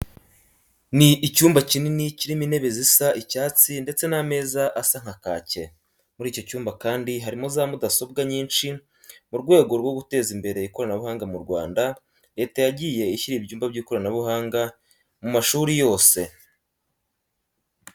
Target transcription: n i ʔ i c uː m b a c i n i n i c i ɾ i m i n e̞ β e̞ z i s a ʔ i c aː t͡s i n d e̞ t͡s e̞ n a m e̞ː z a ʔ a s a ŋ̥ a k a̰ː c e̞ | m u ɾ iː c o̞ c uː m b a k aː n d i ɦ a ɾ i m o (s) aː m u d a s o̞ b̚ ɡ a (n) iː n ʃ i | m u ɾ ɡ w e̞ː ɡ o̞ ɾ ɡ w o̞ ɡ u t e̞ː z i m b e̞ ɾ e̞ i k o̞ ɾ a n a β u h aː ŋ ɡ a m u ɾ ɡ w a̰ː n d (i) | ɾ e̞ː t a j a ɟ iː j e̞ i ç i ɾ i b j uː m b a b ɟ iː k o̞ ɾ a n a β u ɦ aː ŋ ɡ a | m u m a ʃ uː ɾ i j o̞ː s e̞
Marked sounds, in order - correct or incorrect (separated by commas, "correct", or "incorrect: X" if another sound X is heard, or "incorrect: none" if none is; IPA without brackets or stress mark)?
incorrect: z, incorrect: ɲ, incorrect: a